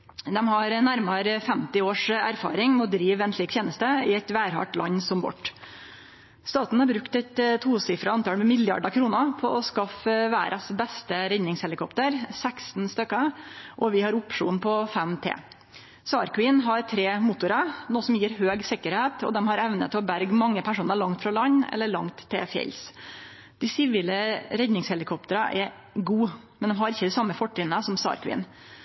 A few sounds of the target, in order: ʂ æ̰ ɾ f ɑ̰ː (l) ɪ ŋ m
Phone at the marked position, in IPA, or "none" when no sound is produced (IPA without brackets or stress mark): ɾ